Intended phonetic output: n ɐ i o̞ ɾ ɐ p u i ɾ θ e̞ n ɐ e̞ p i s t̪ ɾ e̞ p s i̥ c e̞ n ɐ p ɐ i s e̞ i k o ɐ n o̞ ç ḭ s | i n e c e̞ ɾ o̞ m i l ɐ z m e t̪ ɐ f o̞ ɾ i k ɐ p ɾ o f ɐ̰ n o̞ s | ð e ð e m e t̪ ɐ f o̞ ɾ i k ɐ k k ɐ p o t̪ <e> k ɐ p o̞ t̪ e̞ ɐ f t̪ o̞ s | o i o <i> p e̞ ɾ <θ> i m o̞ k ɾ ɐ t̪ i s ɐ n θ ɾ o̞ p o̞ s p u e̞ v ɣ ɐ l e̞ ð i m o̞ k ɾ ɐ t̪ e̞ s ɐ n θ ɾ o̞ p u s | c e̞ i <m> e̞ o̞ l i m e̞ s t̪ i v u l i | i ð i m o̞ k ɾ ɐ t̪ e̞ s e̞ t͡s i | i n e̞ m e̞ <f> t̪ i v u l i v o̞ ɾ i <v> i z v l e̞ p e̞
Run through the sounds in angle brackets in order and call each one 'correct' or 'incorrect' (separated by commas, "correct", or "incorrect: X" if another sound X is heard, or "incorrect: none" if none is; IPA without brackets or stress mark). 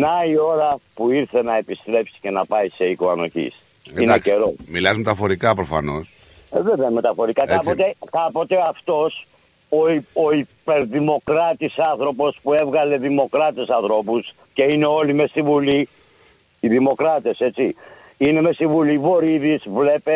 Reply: correct, correct, incorrect: ð, incorrect: n, incorrect: s, incorrect: ð